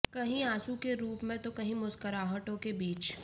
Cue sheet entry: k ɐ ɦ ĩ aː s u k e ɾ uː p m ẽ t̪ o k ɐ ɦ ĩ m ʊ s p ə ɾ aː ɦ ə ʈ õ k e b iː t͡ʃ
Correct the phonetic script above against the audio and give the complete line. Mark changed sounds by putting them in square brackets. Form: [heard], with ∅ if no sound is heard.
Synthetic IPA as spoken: k ɐ ɦ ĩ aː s u k e ɾ uː p m ẽ t̪ o k ɐ ɦ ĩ m ʊ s [k] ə ɾ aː ɦ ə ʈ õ k e b iː t͡ʃ